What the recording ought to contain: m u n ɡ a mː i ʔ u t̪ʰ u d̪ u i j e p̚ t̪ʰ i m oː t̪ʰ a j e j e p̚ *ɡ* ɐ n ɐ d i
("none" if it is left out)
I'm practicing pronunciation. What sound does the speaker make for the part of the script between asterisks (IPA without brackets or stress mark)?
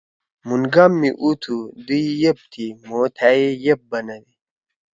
b